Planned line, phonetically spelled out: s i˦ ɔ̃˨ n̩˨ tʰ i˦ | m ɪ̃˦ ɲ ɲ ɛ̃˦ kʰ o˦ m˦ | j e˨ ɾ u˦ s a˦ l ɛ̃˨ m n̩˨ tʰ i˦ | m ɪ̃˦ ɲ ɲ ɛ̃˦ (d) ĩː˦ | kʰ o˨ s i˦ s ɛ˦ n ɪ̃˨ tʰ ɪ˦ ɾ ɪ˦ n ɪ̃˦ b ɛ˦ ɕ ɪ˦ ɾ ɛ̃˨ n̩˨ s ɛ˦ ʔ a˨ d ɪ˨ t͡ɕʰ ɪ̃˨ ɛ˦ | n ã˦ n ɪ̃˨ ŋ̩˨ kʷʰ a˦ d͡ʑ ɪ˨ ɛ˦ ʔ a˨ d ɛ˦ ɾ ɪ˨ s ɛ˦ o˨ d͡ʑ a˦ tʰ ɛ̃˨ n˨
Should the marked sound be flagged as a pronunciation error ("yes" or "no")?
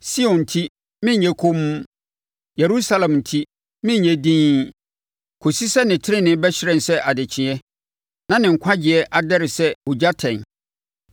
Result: no